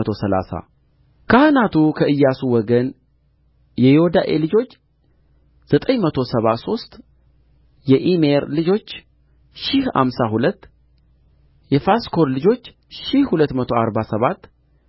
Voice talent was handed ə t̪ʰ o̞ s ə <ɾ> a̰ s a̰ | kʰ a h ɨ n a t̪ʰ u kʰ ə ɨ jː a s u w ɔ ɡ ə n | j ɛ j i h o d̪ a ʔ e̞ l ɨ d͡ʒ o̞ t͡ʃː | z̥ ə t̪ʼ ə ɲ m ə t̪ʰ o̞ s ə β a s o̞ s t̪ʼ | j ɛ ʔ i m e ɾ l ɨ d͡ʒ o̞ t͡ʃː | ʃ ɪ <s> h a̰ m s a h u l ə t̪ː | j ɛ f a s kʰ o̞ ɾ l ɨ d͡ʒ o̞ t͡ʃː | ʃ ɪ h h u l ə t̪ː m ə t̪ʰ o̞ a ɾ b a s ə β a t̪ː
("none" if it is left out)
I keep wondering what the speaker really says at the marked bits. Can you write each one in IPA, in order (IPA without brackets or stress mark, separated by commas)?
l, h